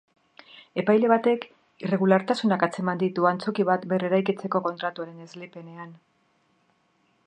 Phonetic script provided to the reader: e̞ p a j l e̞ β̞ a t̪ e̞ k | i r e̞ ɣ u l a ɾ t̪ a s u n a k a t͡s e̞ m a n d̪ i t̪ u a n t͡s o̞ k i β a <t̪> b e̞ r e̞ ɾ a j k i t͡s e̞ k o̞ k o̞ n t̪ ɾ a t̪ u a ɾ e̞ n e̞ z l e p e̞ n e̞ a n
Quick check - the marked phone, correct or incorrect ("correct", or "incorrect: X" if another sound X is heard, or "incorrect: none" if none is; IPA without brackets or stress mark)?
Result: correct